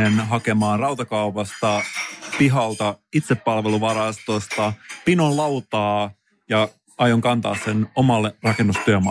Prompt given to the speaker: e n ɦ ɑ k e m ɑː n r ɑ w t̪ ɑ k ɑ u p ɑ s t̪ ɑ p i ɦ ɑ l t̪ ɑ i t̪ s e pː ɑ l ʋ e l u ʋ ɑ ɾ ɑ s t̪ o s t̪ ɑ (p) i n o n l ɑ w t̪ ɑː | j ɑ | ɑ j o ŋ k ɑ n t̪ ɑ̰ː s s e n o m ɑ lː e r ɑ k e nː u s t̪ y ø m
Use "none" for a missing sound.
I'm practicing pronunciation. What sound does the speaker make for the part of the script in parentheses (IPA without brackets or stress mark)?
p